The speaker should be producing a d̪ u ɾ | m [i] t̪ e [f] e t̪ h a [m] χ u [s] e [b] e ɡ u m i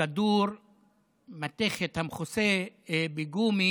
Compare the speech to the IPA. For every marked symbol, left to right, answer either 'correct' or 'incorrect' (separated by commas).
incorrect, incorrect, correct, correct, correct